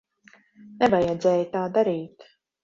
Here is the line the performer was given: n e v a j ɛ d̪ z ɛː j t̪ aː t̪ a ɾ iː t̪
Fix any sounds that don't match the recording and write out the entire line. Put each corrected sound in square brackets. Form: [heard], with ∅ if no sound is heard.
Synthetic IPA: n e v a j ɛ d̪ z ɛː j t̪ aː [d̪] a ɾ iː t̪